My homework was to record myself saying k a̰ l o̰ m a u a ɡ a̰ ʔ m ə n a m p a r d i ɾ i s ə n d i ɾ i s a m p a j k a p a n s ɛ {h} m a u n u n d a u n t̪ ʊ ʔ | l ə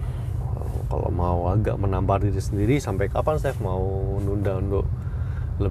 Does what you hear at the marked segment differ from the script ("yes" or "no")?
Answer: yes